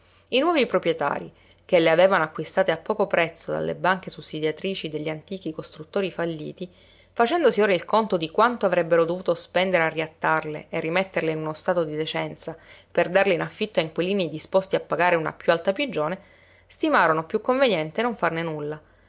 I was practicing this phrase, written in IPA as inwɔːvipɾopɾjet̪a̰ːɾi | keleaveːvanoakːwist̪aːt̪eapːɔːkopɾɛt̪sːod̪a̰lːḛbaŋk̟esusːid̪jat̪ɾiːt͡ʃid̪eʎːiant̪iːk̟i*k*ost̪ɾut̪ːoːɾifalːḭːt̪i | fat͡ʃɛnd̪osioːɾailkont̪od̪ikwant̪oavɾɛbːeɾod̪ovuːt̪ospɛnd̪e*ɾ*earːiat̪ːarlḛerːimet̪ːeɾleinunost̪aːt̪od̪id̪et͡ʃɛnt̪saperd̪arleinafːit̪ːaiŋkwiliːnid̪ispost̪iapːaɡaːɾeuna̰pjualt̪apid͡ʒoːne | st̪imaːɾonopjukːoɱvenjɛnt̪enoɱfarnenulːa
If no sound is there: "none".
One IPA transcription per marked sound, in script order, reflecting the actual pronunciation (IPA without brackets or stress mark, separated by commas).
k, ɾ